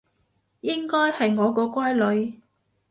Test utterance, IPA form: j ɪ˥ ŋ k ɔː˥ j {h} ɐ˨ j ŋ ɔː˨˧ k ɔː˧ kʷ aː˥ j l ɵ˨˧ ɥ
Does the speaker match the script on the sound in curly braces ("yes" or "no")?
yes